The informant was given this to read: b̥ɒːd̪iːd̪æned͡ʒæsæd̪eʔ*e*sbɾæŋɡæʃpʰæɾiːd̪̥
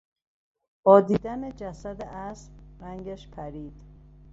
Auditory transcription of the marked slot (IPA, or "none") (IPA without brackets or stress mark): æ